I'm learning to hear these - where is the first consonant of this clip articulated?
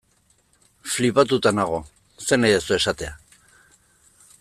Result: lips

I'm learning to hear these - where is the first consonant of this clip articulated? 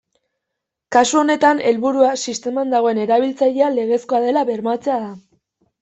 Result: velum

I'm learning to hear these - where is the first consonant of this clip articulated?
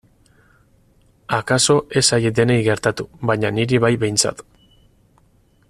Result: velum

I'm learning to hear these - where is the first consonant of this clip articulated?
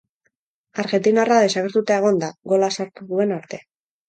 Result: tongue tip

